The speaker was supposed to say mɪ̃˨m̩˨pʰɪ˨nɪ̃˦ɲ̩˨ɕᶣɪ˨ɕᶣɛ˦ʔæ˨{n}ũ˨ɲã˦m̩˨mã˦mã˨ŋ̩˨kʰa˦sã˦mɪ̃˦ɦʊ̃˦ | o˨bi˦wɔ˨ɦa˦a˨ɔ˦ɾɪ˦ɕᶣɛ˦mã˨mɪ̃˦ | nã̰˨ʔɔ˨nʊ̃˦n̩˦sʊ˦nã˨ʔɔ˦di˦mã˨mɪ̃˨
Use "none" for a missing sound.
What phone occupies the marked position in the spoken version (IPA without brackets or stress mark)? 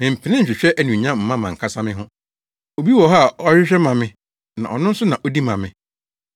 n